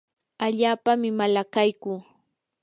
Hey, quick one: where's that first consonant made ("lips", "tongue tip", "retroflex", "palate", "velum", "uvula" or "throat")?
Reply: palate